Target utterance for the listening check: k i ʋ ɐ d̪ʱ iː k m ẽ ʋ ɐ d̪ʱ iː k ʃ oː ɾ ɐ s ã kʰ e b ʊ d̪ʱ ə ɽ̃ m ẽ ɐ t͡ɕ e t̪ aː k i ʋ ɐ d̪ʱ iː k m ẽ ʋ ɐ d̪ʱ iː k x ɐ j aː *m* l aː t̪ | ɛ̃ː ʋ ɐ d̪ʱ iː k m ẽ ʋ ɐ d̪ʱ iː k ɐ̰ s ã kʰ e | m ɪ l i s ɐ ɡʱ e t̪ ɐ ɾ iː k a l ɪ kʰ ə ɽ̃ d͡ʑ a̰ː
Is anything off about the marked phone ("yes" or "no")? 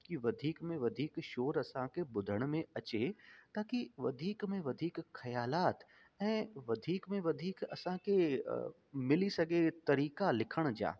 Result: yes